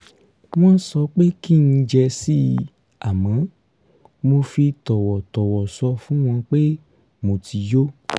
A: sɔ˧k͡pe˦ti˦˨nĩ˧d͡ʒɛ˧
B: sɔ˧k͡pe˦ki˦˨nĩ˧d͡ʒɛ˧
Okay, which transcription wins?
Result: B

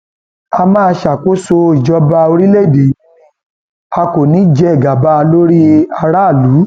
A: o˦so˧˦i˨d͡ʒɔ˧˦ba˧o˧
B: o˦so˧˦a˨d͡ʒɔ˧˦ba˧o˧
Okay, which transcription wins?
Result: A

